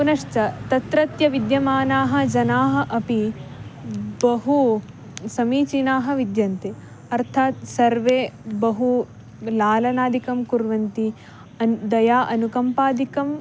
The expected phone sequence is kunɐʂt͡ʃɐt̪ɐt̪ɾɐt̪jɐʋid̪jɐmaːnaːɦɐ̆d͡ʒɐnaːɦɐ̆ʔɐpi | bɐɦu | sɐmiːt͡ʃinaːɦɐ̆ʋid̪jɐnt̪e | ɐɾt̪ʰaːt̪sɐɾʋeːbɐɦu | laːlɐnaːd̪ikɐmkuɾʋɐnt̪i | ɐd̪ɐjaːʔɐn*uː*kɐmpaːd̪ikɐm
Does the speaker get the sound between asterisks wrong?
yes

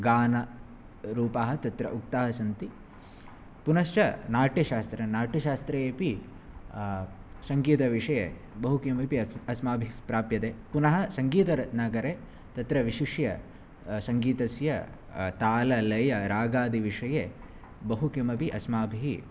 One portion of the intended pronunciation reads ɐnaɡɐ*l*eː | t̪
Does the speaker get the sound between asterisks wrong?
yes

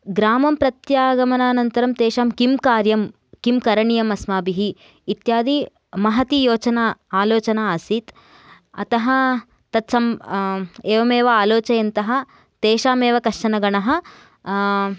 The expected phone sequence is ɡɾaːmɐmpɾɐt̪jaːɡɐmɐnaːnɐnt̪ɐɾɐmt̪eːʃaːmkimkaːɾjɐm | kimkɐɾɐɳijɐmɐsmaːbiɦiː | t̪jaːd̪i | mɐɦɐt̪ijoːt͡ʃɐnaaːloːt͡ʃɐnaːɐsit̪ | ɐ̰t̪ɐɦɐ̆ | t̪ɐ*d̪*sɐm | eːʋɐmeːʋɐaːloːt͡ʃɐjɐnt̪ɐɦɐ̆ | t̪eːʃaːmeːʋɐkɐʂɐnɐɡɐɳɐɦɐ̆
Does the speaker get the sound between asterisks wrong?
yes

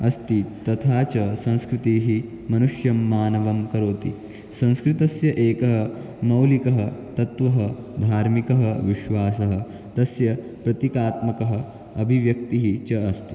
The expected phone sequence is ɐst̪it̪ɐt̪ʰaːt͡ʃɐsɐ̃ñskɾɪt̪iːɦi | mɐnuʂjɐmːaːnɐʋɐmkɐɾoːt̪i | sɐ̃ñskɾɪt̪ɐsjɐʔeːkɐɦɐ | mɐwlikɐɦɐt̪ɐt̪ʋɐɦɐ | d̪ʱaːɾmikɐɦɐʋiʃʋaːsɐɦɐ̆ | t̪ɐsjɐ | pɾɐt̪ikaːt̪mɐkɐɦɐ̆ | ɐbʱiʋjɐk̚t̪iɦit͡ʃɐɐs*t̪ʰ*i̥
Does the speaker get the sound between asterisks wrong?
yes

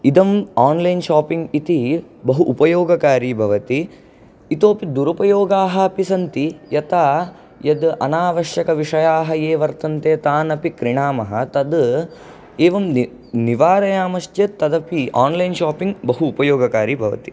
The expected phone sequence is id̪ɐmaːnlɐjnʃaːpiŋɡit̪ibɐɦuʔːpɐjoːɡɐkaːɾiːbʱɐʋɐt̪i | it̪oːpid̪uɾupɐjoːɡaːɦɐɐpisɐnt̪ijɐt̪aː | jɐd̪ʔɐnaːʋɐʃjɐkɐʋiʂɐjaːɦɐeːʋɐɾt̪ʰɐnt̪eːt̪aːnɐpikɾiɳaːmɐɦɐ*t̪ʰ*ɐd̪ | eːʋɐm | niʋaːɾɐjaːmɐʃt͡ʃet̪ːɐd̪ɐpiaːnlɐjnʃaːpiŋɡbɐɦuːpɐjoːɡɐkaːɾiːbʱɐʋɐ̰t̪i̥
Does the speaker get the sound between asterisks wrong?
yes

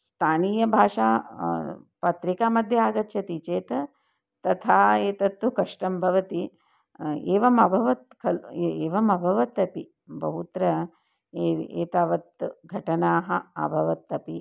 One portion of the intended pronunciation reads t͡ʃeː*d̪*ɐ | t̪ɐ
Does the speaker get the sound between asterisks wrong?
yes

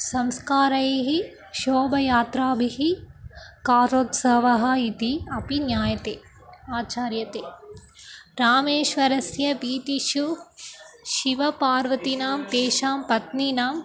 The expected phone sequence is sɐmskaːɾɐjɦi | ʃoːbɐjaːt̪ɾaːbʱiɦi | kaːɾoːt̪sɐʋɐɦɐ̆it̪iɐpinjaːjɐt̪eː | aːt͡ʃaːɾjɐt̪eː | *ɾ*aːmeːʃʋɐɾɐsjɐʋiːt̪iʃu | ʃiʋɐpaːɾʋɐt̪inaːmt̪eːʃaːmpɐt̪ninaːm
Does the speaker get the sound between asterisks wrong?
no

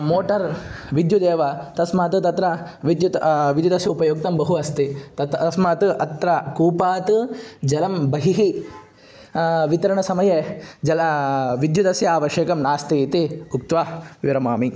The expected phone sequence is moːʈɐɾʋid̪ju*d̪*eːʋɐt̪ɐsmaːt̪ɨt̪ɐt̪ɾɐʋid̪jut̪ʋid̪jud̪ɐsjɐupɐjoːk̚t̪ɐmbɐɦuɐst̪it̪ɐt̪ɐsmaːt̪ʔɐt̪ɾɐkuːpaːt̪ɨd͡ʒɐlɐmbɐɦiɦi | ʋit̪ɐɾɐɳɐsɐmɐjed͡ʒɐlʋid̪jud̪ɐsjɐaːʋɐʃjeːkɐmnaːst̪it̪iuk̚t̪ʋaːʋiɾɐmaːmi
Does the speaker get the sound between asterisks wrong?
no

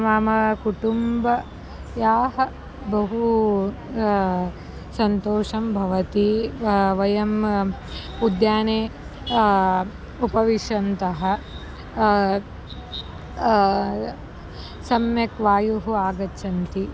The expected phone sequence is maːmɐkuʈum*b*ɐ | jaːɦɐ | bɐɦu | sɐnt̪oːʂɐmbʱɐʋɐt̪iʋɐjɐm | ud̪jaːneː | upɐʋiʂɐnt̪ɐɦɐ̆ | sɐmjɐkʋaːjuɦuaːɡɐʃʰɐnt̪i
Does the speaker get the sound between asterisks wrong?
no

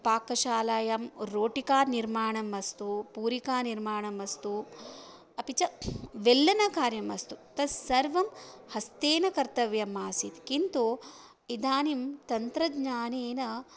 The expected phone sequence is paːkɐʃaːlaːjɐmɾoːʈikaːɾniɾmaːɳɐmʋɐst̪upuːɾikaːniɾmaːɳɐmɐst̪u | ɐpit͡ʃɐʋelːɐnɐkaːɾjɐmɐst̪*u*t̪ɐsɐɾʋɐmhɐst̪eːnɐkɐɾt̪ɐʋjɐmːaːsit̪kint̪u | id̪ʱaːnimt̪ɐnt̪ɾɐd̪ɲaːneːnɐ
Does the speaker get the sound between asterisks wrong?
no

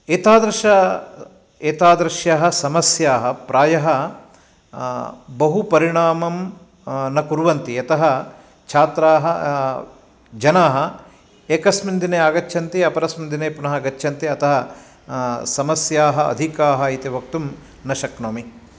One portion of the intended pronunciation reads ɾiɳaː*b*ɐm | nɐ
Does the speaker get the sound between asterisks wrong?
yes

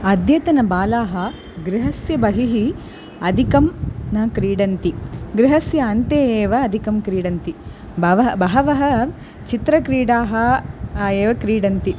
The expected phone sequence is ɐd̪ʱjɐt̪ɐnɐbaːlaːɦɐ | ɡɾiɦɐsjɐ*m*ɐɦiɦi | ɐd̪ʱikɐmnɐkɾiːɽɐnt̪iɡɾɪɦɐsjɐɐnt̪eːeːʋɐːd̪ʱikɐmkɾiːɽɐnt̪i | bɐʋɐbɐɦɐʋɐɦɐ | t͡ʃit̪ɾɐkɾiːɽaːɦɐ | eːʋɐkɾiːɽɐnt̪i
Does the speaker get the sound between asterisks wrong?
yes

